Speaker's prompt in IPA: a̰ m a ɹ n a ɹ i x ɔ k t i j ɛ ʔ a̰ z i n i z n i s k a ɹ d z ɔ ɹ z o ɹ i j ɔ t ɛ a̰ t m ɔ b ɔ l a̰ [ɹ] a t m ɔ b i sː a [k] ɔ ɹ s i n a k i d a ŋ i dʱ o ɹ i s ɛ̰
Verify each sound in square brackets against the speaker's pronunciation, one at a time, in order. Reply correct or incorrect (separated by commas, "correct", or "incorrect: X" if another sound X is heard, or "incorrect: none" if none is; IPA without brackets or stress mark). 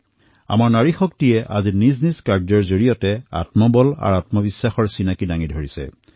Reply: correct, incorrect: x